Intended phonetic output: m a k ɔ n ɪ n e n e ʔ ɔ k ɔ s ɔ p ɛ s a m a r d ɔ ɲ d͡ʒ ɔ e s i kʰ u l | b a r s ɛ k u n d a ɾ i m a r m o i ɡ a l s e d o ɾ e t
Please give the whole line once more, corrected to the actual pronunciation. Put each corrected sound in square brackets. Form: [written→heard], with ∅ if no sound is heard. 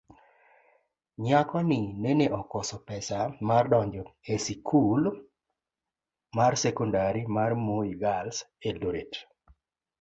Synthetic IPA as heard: [m→ɲ] a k ɔ n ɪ n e n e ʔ ɔ k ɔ s ɔ p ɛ s a m a r d ɔ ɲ d͡ʒ ɔ e s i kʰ u l | [b→m] a r s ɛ k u n d a ɾ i m a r m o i ɡ a l s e d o ɾ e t